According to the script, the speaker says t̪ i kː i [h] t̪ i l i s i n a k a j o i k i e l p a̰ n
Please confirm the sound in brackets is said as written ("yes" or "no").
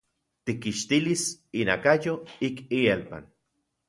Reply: no